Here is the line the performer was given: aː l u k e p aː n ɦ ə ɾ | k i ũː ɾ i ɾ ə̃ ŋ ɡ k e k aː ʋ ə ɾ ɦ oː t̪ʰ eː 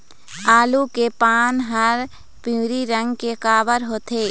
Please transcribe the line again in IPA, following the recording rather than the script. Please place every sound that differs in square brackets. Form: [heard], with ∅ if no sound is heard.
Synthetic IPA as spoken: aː l u k e p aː n ɦ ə ɾ | [p] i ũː ɾ i ɾ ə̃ ŋ ɡ k e k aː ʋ ə ɾ ɦ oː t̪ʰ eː